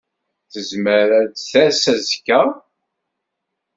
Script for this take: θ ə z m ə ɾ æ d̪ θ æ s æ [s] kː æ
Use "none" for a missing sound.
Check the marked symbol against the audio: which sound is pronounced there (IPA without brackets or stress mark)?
z